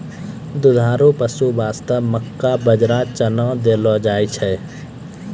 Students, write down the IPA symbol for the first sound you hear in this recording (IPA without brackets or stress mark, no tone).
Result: d̪